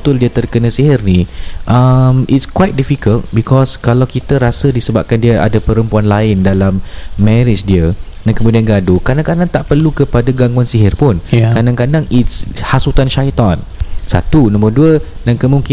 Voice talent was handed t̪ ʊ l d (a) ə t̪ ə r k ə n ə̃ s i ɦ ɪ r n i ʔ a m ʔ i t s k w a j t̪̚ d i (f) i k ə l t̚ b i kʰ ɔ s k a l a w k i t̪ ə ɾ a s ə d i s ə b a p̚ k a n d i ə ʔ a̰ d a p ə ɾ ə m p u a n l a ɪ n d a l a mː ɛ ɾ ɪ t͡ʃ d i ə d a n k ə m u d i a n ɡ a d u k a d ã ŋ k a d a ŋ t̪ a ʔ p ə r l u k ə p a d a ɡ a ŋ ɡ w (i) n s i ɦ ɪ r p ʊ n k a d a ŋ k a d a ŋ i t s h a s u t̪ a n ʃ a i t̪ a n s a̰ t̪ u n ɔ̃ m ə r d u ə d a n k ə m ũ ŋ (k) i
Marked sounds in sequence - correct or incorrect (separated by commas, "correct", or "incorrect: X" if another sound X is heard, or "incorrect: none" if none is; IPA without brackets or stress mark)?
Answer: incorrect: i, correct, incorrect: a, correct